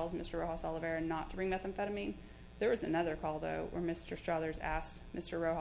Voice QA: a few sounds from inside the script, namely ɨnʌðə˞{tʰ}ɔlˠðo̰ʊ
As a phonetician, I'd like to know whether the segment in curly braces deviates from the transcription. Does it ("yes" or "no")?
yes